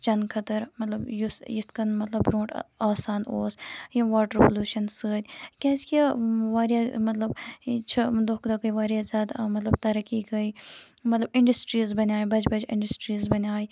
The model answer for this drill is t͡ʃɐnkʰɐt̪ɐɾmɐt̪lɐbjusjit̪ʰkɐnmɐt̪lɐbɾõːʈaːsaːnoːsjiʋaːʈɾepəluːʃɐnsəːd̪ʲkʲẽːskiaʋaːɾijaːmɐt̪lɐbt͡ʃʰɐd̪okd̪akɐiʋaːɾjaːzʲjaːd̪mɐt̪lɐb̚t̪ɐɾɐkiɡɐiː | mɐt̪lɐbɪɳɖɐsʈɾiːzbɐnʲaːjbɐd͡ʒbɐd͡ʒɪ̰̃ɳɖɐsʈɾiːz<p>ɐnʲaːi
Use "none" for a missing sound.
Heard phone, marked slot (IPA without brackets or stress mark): b